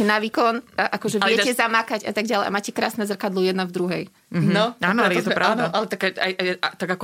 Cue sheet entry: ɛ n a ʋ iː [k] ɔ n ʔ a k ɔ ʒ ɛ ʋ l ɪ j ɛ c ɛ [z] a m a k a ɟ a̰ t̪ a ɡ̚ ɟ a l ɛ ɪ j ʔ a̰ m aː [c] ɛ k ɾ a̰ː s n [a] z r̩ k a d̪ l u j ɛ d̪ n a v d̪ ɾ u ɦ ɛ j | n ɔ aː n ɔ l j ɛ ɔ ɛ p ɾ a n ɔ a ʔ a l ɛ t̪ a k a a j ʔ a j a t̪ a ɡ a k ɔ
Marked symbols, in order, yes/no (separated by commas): yes, yes, yes, no